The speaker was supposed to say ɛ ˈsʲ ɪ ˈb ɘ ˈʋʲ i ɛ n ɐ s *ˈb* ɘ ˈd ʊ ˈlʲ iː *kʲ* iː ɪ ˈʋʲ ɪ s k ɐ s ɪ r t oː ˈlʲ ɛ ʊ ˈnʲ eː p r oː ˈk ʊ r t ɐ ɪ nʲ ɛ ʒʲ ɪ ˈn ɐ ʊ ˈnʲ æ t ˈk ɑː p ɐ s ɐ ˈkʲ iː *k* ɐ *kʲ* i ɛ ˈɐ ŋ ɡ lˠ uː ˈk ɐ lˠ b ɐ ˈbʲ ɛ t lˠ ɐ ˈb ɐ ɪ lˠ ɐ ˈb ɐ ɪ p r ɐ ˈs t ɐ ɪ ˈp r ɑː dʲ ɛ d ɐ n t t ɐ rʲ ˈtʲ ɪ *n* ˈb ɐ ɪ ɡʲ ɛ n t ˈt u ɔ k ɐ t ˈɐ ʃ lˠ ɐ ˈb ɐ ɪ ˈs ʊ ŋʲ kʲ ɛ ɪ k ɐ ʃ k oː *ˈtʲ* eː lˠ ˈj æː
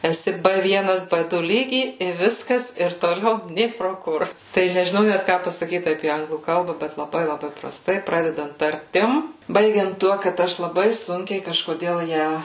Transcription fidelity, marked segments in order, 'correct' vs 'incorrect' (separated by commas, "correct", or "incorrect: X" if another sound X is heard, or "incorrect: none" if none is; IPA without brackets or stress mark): correct, incorrect: ɡʲ, incorrect: t, incorrect: pʲ, incorrect: m, incorrect: dʲ